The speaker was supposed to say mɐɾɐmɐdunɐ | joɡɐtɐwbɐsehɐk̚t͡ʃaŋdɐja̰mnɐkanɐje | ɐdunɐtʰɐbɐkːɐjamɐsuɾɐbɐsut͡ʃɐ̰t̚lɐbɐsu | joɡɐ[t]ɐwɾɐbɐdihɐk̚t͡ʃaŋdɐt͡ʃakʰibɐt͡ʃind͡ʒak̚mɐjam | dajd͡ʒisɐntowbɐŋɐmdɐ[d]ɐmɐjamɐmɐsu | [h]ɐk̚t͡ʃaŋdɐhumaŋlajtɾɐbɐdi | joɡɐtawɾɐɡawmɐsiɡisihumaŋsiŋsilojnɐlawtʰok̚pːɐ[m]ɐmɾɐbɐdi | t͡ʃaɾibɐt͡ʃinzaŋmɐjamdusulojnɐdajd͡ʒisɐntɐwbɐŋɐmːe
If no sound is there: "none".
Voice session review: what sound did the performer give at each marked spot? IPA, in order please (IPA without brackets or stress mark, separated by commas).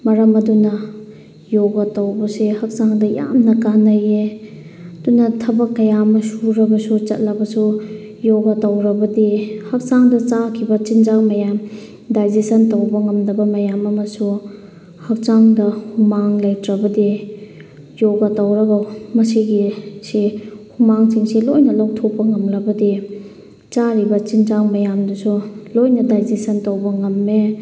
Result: t, b, h, ŋ